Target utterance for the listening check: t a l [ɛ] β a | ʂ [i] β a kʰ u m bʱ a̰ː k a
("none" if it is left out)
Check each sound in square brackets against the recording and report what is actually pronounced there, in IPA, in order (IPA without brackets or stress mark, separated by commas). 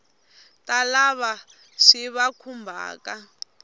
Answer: a, i